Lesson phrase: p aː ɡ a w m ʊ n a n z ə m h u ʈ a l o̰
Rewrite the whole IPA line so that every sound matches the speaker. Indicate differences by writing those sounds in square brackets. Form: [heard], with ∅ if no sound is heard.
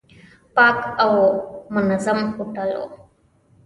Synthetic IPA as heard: p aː [k] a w m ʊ n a [∅] z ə m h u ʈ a l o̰